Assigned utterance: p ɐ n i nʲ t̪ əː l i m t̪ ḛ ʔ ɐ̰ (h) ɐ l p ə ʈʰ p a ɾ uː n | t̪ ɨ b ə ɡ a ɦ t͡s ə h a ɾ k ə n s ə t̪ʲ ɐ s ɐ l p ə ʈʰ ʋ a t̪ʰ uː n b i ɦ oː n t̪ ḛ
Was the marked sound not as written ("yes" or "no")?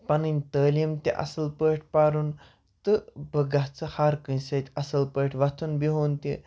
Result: yes